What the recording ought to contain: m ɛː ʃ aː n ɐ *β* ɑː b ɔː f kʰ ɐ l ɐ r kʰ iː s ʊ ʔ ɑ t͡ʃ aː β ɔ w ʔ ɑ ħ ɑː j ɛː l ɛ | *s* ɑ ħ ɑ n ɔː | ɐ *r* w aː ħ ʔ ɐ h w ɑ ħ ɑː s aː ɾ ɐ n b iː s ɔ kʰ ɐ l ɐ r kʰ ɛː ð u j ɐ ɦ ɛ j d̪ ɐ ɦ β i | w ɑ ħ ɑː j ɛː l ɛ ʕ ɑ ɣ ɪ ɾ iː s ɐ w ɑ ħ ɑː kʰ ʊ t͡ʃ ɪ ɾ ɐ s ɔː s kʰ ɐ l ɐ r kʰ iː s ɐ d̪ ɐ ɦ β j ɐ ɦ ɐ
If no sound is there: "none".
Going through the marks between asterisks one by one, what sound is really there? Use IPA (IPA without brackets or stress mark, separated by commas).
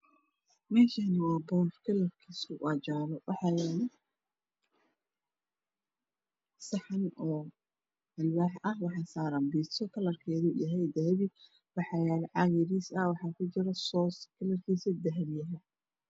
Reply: w, s, l